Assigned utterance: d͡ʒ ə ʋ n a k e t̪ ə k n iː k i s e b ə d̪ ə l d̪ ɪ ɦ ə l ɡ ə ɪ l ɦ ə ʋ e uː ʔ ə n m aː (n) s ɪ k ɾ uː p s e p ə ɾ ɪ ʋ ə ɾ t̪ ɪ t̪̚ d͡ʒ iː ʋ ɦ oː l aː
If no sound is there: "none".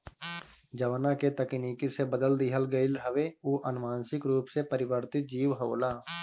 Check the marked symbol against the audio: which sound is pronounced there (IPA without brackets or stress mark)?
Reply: n